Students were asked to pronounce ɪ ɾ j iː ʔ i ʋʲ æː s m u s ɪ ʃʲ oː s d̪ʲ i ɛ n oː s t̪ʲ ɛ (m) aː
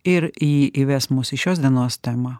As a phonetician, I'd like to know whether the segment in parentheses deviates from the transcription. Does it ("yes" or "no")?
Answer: no